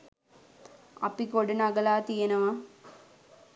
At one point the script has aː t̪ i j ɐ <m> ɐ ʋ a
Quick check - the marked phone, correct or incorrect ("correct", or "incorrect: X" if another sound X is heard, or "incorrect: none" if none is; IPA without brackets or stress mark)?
incorrect: n